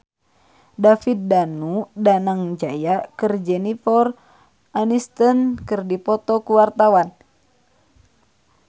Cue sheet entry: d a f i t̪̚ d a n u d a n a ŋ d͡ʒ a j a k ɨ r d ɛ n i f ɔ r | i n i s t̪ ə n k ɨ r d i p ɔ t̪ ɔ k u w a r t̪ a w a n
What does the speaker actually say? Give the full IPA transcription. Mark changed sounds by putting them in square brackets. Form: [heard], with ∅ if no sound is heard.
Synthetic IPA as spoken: d a f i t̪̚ d a n u d a n a ŋ d͡ʒ a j a k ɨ r [d͡ʒ] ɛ n i f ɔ r | [a] n i s t̪ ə n k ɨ r d i p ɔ t̪ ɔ k u w a r t̪ a w a n